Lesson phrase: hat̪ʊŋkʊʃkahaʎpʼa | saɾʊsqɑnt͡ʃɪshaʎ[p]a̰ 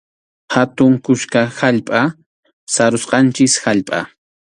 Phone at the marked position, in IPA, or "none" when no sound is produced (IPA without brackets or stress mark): pʼ